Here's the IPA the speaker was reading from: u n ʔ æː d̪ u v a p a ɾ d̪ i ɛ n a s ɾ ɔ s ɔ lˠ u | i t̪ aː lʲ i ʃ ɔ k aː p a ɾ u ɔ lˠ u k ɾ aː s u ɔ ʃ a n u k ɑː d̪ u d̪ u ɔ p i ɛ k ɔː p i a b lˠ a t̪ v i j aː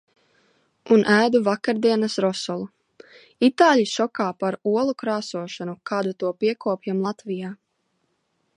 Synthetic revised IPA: u n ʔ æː d̪ u v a k a ɾ d̪ i ɛ n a s ɾ ɔ s ɔ lˠ u | i t̪ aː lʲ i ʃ ɔ k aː p a ɾ u ɔ lˠ u k ɾ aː s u ɔ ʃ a n u k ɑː d̪ u t̪ u ɔ p i ɛ k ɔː p j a m lˠ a t̪ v i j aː

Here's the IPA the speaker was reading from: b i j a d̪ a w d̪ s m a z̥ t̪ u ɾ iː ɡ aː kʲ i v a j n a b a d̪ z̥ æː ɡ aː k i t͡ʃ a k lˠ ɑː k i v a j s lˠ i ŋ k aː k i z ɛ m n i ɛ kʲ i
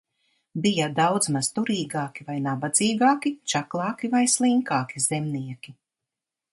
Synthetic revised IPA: b i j a d̪ a w d̪ z m a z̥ t̪ u ɾ iː ɡ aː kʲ i v a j n a b a d̪ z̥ iː ɡ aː k i t͡ʃ a k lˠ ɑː k i v a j s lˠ i ŋ k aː k i z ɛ m n i ɛ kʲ i

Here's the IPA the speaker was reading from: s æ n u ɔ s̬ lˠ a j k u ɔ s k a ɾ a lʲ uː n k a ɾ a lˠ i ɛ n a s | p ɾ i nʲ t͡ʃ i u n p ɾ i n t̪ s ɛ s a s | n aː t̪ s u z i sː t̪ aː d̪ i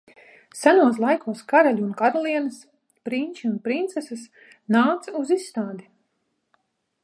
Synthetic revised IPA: s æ n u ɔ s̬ lˠ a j k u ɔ s k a ɾ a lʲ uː n k a ɾ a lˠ i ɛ n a s | p ɾ i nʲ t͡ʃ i u n p ɾ i n t̪ s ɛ s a s | n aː t̪ s u z i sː t̪ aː d̪ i

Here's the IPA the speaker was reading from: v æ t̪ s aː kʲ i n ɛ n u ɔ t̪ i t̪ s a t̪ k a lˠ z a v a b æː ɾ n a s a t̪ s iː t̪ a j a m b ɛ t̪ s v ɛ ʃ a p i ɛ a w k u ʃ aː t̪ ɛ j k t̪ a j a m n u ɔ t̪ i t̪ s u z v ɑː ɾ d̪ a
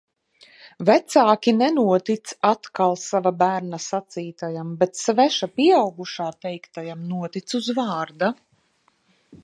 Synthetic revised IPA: v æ t̪ s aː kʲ i n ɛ n u ɔ t̪ i t̪ s a t̪ k a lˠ s a v a b æː ɾ n a s a t̪ s iː t̪ a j a m b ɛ t̪ s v ɛ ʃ a p i ɛ a w ɡ u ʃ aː t̪ ɛ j k t̪ a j a m n u ɔ t̪ i t̪ s u z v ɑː ɾ d̪ a

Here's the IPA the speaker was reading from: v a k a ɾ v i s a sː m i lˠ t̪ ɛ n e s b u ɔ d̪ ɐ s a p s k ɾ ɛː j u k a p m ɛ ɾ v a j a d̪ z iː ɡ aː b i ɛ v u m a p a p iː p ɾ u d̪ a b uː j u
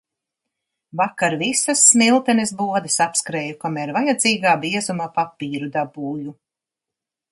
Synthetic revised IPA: v a k a ɾ v i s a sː m i lˠ t̪ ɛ n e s b u ɔ d̪ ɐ s a p s k ɾ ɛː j u k a m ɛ ɾ v a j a d̪ z iː ɡ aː b i ɛ z u m a p a p iː ɾ u d̪ a b uː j u

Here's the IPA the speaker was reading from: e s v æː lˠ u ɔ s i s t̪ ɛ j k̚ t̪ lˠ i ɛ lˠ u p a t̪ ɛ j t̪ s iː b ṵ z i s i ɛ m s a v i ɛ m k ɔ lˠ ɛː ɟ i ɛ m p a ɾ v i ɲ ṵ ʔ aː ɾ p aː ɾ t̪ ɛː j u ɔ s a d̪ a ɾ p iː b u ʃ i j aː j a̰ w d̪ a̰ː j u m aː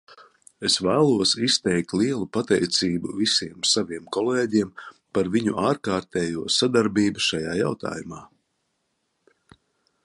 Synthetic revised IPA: e s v æː lˠ u ɔ s i s t̪ ɛ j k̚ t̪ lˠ i ɛ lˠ u p a t̪ ɛ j t̪ s iː b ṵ v i s i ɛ m s a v i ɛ m k ɔ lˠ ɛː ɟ i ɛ m p a ɾ v i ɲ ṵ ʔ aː ɾ k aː ɾ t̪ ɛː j u ɔ s a d̪ a ɾ b iː b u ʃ a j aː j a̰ w t̪ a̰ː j u m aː

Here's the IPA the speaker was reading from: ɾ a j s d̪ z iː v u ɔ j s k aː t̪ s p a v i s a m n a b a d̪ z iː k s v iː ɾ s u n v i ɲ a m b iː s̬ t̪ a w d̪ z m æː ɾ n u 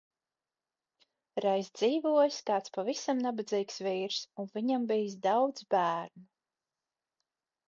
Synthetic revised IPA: ɾ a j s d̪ z iː v u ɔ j s k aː t̪ s p a v i s a m n a b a d̪ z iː k s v iː ɾ s u n v i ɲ a m b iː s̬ d̪ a w d̪ z b æː ɾ n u

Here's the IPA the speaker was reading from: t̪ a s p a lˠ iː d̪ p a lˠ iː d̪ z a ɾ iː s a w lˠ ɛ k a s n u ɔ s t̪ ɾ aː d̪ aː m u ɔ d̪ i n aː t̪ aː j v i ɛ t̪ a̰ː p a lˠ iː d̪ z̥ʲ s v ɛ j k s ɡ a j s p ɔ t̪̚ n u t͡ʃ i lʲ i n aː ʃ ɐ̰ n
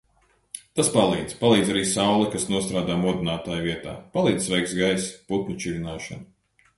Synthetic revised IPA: t̪ a s p a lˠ iː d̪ p a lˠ iː d̪ z a ɾ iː s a w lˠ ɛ k a s n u ɔ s t̪ ɾ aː d̪ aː m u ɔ d̪ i n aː t̪ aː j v i ɛ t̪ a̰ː p a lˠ iː d̪ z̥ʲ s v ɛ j k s ɡ a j s p u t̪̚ n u t͡ʃ i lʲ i n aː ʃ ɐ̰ n

